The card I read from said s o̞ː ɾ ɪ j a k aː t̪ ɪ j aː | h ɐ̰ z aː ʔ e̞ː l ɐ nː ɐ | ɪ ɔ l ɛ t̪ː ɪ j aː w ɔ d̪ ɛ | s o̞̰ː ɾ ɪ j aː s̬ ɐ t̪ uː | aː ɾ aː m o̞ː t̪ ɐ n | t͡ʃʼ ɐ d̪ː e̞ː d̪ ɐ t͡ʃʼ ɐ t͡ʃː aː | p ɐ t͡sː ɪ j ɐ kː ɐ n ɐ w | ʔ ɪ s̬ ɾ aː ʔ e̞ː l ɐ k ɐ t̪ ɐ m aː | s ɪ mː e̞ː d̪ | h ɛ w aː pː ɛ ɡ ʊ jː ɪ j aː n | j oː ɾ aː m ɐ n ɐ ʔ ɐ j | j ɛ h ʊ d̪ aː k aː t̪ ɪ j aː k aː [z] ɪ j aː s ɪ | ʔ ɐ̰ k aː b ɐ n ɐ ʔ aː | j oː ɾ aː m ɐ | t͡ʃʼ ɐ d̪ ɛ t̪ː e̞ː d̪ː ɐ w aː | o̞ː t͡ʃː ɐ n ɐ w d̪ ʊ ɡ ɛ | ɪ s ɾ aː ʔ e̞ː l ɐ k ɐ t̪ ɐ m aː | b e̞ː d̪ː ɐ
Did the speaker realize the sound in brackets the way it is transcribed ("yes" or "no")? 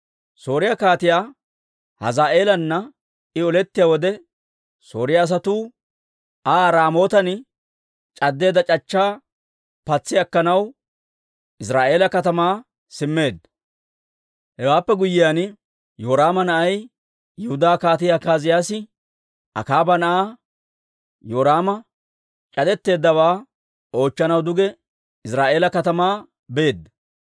yes